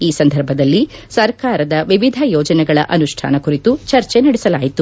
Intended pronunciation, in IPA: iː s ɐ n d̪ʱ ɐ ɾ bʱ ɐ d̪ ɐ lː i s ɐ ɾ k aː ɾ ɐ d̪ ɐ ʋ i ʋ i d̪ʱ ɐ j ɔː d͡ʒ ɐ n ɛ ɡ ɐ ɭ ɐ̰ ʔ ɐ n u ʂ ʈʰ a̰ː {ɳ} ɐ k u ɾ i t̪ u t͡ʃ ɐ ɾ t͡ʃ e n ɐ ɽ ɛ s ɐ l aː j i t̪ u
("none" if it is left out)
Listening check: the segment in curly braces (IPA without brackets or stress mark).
n